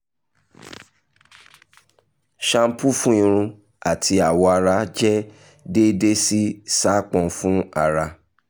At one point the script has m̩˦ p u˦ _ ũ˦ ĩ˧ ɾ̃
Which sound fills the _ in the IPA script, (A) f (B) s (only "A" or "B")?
A